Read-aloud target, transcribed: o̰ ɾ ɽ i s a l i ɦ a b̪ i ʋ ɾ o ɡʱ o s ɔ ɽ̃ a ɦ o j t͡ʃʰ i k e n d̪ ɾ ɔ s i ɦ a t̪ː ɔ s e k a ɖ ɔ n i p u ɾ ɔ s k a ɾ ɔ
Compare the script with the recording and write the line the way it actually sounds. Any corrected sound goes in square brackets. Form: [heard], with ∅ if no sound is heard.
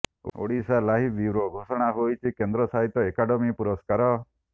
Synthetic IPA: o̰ [∅] ɽ i s a l [a] ɦ [i] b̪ i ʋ ɾ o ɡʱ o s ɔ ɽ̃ a ɦ o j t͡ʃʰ i k e n d̪ ɾ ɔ s [a] ɦ [i] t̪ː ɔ [∅] e k a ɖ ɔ [m] i p u ɾ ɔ s k a ɾ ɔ

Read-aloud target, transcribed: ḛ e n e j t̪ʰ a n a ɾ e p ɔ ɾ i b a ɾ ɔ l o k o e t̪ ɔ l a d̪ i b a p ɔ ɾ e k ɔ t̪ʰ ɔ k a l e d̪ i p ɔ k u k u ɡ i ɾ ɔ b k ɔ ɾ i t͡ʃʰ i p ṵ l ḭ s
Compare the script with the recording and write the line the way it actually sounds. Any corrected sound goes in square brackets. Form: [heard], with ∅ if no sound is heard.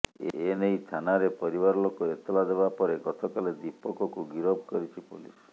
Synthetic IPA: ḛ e n e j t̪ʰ a n a ɾ e p ɔ ɾ i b a ɾ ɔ l o k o e t̪ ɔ l a d̪ [e] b a p ɔ ɾ e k ɔ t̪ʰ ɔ k a l e d̪ i p ɔ k [ɔ] k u ɡ i ɾ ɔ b k ɔ ɾ i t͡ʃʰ i p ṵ l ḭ s

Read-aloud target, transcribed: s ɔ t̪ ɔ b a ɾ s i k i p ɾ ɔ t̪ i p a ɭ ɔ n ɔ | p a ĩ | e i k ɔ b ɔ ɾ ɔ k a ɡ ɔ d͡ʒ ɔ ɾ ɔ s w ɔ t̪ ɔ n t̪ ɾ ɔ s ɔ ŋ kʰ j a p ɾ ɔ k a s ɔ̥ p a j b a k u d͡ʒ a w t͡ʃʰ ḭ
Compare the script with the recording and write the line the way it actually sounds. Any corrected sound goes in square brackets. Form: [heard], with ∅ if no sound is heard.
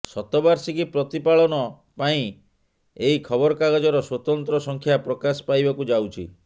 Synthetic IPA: s ɔ t̪ ɔ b a ɾ s i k i p ɾ ɔ t̪ i p a ɭ ɔ n ɔ | p a ĩ | e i [kʰ] ɔ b ɔ ɾ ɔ k a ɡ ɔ d͡ʒ ɔ ɾ ɔ s w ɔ t̪ ɔ n t̪ ɾ ɔ s ɔ ŋ kʰ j a p ɾ ɔ k a s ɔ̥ p a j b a k u d͡ʒ a w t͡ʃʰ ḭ

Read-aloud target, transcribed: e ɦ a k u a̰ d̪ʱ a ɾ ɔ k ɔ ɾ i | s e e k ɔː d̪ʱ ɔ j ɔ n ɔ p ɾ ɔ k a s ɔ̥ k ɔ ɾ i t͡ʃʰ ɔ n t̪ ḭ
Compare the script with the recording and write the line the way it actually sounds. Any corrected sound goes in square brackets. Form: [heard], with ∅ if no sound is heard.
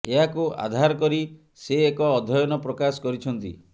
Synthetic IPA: e ɦ a k u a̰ d̪ʱ a ɾ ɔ k ɔ ɾ i | s e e k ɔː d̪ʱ ɔ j ɔ n ɔ p ɾ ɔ k a s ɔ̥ k ɔ ɾ i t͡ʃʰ ɔ n t̪ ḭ

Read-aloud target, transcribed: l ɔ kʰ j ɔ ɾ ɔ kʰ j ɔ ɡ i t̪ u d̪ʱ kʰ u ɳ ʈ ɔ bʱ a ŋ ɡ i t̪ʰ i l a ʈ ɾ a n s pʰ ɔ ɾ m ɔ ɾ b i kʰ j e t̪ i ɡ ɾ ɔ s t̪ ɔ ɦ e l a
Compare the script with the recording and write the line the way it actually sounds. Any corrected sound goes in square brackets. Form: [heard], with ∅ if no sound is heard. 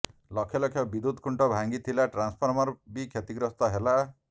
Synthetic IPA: l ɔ kʰ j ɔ [l] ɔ kʰ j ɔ [b] i [d̪] u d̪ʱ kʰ u ɳ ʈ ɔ bʱ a ŋ ɡ i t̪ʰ i l a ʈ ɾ a n s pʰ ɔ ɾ m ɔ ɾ b i kʰ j e t̪ i ɡ ɾ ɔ s t̪ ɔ ɦ e l a

